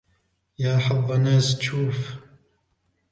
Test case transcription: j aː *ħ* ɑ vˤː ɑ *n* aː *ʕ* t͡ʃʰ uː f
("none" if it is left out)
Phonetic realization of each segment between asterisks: ħ, n, z

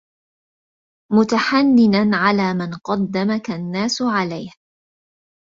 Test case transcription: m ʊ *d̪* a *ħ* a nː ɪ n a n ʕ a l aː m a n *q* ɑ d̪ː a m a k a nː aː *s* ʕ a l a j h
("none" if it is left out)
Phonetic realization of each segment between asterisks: t̪, ħ, q, s

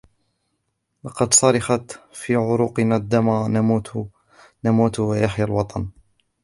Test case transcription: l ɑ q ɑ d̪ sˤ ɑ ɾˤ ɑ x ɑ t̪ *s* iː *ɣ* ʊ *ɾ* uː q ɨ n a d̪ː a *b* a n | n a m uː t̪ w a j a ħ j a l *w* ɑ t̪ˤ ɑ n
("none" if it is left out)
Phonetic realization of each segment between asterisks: f, ʕ, ɾ, m, w

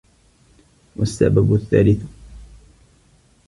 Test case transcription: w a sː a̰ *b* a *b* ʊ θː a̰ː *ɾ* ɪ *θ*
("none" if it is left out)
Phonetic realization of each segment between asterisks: b, b, l, θ

